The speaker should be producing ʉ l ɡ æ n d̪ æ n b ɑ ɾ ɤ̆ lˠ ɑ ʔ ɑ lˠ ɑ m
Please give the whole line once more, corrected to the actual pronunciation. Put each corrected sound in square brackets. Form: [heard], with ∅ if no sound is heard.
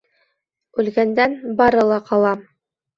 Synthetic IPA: ʉ l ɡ æ n d̪ æ n b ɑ ɾ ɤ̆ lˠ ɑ [q] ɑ lˠ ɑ m